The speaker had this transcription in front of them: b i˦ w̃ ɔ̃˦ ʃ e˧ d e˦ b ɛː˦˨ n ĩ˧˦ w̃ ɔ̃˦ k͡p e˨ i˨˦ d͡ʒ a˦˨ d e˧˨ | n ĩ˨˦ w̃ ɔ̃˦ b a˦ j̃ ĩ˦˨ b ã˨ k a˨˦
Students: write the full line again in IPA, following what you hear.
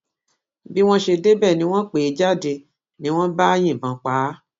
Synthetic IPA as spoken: b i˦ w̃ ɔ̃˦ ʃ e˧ d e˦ b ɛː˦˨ n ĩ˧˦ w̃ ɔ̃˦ k͡p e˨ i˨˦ d͡ʒ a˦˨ d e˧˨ | n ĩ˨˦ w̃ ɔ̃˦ b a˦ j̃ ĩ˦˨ b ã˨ k͡p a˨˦